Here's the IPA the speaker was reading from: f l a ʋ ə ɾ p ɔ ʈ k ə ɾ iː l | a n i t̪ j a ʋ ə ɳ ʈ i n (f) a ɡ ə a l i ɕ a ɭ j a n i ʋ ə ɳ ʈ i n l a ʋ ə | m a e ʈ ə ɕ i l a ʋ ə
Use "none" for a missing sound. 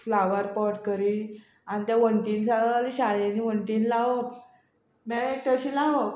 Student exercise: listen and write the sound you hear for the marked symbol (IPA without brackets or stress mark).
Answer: s